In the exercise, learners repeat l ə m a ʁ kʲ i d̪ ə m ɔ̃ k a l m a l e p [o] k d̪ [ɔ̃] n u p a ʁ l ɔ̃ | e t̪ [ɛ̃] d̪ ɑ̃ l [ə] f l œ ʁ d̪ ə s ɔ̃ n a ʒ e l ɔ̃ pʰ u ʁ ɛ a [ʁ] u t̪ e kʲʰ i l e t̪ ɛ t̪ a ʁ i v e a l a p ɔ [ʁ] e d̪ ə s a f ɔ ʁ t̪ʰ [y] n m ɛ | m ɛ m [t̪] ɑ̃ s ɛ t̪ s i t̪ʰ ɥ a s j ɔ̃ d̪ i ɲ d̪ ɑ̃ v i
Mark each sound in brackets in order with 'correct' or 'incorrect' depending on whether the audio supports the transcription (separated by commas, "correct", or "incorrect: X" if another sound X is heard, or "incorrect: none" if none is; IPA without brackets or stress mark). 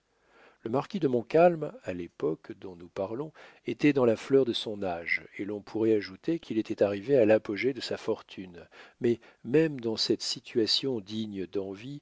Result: incorrect: ɔ, correct, incorrect: ɛ, incorrect: a, incorrect: ʒ, incorrect: ʒ, correct, incorrect: d̪